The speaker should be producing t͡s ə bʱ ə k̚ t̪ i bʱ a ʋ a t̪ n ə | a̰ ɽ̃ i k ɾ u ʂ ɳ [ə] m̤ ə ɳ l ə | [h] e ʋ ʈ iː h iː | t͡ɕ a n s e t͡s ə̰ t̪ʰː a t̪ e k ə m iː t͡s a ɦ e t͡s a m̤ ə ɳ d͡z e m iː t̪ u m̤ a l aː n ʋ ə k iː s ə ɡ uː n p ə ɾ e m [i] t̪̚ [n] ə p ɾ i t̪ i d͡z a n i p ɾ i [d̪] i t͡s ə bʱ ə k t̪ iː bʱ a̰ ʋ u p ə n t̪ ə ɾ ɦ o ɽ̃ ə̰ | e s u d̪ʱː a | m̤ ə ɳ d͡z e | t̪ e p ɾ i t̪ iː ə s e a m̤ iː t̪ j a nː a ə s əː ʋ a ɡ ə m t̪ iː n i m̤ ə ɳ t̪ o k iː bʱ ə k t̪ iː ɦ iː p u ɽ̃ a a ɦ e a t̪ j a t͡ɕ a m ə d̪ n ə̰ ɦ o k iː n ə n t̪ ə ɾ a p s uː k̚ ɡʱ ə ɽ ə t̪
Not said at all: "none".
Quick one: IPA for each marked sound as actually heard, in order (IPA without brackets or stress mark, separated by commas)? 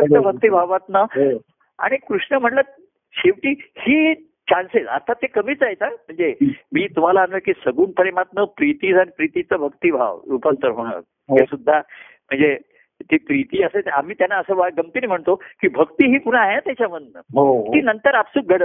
ə, ɕ, a, n, t̪